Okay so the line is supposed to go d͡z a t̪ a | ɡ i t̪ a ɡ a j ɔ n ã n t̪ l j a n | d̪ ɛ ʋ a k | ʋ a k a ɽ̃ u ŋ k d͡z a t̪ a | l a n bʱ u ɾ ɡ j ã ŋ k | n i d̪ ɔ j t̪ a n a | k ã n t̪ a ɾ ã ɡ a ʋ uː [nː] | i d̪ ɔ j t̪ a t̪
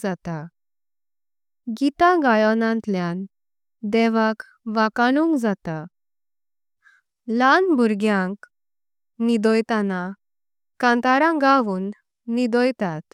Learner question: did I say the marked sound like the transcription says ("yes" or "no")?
yes